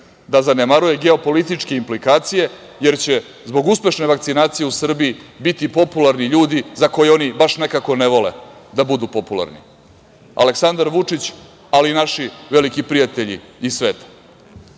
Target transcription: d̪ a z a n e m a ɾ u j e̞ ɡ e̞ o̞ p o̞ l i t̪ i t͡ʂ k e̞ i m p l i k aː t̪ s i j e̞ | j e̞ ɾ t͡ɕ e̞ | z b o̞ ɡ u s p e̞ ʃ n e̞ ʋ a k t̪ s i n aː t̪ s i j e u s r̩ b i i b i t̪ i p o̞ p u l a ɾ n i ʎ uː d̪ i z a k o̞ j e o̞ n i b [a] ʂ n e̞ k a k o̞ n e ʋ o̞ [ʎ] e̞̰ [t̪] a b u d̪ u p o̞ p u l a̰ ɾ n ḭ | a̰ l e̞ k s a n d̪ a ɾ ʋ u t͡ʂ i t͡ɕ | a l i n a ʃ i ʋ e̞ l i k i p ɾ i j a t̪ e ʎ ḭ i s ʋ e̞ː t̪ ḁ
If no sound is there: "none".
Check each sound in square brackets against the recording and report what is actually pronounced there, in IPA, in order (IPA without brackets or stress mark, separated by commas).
a, l, d̪